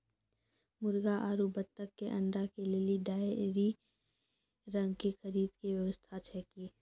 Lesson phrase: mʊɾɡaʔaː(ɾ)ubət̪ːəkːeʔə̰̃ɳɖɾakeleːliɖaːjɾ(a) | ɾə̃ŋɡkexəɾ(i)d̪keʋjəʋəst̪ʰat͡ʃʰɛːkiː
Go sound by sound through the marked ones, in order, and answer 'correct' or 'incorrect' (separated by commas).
correct, incorrect, incorrect